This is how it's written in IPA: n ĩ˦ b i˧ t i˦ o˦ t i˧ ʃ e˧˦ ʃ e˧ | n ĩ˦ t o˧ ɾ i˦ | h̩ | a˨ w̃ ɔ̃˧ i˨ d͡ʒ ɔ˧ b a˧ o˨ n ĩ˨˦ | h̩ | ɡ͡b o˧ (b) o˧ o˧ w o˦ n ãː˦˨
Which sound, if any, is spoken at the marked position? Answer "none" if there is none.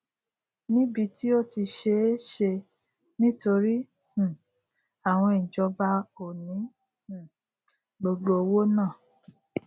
ɡ͡b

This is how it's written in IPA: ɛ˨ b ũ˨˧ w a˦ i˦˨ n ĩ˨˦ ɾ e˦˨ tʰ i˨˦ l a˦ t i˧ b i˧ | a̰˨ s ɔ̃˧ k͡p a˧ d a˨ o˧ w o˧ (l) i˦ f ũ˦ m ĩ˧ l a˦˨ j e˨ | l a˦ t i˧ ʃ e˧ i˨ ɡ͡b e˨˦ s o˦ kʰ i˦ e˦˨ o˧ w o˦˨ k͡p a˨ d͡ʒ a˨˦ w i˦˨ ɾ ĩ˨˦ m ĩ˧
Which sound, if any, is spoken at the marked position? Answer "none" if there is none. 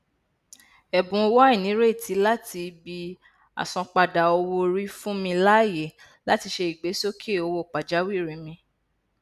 ɾ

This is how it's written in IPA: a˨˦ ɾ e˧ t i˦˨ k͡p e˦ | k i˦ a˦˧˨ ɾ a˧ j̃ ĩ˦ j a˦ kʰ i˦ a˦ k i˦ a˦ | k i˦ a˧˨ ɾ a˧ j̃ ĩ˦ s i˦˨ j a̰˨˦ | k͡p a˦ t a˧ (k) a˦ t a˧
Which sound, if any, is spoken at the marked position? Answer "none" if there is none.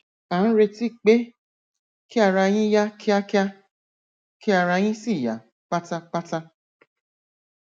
k͡p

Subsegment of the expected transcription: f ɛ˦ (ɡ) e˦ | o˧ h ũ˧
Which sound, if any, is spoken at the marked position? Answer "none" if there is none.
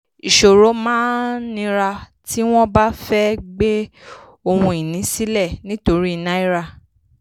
ɡ͡b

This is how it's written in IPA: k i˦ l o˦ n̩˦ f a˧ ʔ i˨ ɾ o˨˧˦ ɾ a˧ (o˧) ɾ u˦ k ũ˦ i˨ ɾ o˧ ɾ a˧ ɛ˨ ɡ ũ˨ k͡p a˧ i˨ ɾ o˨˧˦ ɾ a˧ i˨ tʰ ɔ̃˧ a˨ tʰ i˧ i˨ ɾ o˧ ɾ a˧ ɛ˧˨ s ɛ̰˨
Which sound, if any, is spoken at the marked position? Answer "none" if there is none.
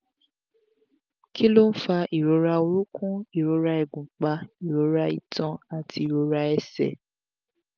o˧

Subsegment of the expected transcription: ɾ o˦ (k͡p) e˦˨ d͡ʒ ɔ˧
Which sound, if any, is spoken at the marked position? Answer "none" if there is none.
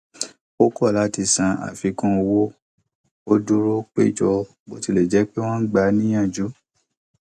k͡p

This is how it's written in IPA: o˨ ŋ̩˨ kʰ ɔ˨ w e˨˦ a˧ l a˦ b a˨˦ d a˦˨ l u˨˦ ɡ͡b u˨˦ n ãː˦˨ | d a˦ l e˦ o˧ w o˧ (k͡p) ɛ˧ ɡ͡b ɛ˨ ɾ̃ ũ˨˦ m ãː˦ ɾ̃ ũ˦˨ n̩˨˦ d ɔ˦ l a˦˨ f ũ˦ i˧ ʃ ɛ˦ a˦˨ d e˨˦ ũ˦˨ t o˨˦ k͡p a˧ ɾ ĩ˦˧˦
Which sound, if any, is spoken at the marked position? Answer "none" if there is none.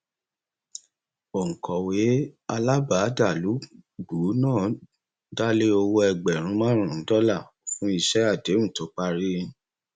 none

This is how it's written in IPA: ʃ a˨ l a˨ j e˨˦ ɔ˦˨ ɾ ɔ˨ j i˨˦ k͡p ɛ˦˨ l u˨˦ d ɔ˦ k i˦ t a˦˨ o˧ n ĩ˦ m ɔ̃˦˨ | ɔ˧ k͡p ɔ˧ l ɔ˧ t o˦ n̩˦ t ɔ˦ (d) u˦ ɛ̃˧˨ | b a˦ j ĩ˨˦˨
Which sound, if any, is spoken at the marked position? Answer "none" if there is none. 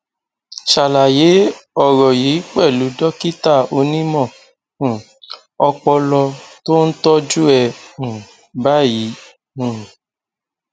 d͡ʒ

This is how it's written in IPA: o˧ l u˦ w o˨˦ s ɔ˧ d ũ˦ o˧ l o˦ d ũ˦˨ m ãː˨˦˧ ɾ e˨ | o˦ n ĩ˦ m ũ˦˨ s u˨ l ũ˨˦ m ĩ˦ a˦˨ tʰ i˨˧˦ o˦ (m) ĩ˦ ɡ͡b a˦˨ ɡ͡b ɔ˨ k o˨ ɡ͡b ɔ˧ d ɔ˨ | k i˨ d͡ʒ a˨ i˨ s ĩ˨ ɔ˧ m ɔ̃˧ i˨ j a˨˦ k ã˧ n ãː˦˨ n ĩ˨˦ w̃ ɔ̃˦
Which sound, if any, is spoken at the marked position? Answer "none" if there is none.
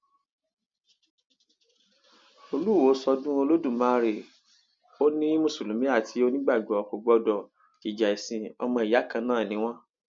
n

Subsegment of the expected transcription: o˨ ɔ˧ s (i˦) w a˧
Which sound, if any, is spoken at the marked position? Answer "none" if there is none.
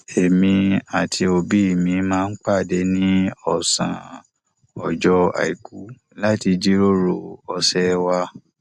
ɛ˦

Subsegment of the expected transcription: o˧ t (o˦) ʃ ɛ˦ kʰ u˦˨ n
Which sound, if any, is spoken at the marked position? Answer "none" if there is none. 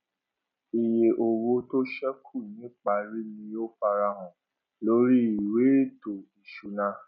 o˦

